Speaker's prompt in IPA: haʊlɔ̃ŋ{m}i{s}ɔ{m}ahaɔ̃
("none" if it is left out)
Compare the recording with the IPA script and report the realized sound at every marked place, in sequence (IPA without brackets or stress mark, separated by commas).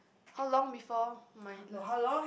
b, f, m